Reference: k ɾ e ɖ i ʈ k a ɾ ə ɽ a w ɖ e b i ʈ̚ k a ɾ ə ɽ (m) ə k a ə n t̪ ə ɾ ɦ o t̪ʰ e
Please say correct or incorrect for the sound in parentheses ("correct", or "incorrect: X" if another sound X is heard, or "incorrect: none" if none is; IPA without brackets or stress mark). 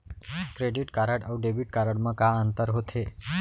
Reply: correct